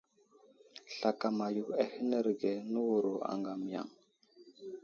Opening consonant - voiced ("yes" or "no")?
no